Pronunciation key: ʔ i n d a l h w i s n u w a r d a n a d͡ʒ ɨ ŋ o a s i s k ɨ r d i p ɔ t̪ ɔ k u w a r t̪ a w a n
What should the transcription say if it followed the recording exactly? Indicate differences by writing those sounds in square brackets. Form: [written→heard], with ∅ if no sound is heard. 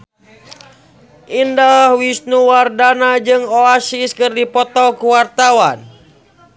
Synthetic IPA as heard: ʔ i n d a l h w i s n u w a r d a n a d͡ʒ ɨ ŋ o a s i s k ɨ r d i p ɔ t̪ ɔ k u w a r t̪ a w a n